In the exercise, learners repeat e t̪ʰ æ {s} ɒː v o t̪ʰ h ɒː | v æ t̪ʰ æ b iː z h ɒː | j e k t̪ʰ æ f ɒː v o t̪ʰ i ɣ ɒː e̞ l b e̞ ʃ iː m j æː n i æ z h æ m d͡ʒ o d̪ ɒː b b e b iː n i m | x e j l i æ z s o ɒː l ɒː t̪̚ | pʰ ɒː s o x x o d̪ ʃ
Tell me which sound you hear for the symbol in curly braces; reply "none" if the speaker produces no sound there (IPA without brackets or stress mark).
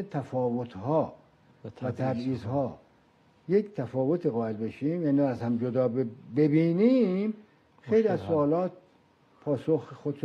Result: f